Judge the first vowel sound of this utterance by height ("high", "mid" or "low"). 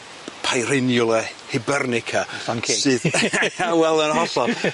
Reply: low